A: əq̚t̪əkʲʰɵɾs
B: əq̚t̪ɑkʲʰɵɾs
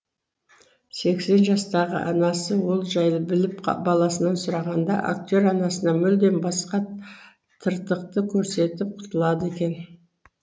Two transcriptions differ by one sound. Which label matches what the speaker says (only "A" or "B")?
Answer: A